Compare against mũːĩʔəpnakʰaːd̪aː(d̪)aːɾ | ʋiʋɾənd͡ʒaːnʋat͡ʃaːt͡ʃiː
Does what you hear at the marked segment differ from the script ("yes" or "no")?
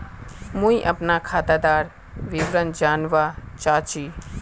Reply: no